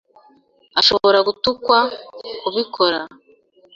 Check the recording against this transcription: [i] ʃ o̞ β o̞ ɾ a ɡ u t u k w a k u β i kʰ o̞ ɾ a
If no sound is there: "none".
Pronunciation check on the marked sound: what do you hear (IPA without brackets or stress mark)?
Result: a